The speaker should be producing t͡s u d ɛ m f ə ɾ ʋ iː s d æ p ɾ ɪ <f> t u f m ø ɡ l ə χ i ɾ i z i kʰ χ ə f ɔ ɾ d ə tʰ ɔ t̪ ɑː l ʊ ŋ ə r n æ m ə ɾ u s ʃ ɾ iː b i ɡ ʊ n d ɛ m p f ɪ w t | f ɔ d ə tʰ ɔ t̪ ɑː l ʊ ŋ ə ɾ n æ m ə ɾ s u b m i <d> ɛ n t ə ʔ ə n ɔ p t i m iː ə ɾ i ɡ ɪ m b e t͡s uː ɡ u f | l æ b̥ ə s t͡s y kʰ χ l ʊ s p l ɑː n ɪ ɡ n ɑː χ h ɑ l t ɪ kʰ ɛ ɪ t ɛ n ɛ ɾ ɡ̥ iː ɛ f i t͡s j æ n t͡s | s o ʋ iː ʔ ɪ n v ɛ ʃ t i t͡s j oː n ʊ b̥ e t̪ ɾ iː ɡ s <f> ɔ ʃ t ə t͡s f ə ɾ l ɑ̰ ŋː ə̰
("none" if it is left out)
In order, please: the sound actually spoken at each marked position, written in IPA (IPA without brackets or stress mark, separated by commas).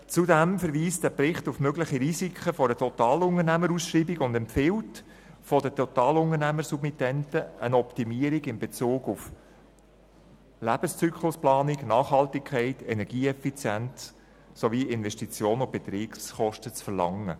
χ, t, χ